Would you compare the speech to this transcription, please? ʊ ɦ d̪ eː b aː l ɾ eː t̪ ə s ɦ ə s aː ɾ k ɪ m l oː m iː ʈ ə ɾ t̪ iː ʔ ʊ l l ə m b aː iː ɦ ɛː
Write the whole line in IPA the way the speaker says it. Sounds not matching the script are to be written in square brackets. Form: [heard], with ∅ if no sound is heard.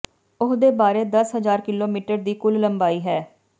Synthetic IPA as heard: ʊ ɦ d̪ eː b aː [∅] ɾ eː [d̪] ə s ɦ ə [z] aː ɾ k ɪ [∅] l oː m iː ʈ ə ɾ [d̪] iː [k] ʊ l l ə m b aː iː ɦ ɛː